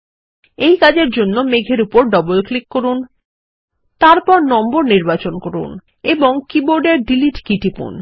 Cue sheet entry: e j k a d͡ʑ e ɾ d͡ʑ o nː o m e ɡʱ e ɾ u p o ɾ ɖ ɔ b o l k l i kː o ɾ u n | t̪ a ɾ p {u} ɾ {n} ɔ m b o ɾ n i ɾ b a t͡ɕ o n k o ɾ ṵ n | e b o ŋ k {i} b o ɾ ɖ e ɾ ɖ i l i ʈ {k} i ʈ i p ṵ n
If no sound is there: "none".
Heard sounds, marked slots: ɔ, n, i, k

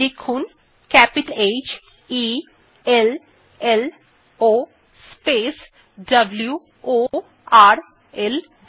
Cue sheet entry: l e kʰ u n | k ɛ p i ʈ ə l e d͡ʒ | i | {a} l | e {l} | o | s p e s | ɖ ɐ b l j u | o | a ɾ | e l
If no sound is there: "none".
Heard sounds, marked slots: e, l

